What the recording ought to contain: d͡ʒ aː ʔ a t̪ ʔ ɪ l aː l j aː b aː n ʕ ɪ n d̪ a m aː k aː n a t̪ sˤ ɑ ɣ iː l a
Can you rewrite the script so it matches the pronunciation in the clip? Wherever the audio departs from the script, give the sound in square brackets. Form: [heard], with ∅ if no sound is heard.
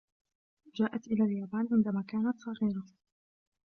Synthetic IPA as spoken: d͡ʒ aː ʔ a t̪ ʔ ɪ l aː l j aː b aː n ʕ ɪ n d̪ a m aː k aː n a t̪ sˤ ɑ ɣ iː [ɾ] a